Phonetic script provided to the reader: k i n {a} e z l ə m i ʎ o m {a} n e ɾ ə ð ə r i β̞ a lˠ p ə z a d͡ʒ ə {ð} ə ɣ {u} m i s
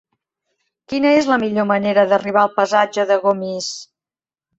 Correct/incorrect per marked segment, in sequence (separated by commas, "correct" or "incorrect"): incorrect, incorrect, correct, incorrect